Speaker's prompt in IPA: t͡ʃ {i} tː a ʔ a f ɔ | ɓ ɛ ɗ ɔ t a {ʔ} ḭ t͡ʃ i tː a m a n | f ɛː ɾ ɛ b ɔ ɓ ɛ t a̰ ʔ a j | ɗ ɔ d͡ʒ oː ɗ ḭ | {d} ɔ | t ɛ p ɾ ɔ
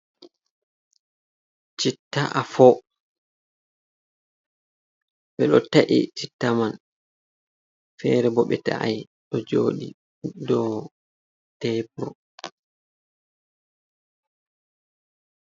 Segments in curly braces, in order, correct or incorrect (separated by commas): correct, correct, correct